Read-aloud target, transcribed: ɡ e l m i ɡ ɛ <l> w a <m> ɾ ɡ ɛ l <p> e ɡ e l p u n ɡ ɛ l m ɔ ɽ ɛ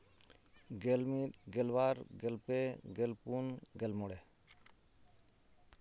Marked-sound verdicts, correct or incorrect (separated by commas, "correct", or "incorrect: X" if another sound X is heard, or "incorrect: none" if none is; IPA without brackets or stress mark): correct, incorrect: none, correct